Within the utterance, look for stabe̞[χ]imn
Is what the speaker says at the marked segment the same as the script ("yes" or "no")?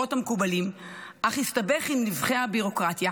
yes